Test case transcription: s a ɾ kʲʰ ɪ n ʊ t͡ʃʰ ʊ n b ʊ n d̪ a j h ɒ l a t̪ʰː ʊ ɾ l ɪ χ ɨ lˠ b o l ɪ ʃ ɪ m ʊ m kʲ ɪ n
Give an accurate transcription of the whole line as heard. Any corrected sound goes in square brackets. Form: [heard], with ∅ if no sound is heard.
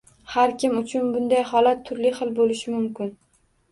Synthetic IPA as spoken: [h] a ɾ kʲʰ ɪ [m] ʊ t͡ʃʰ ʊ n b ʊ n d̪ a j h ɒ l a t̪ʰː ʊ ɾ l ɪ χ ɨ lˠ b o l ɪ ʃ ɪ m ʊ m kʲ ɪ n